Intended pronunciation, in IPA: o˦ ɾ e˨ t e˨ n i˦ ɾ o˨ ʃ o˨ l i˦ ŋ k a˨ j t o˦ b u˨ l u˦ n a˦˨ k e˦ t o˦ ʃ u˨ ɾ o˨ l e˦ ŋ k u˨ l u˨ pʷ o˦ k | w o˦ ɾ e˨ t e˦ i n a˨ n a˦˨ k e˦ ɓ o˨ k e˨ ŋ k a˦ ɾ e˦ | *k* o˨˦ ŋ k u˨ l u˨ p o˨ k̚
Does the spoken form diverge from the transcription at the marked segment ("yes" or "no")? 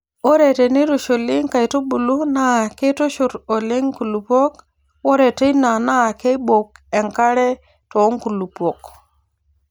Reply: yes